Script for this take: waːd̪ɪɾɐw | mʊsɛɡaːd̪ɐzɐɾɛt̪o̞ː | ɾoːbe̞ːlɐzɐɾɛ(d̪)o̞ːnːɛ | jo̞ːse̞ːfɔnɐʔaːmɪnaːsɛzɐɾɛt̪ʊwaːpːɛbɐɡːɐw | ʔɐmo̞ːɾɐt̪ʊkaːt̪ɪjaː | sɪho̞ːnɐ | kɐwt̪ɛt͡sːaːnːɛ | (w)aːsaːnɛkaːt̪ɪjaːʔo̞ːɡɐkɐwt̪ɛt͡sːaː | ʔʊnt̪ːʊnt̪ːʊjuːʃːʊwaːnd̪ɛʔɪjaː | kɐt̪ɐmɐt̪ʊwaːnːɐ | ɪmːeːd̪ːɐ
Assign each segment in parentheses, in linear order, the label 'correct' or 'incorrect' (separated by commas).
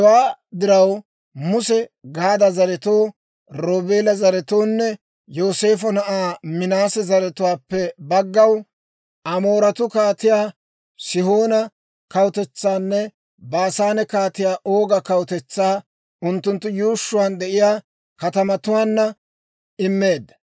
incorrect, incorrect